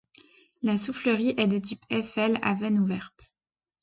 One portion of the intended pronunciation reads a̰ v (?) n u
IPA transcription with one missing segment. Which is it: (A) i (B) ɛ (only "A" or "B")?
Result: B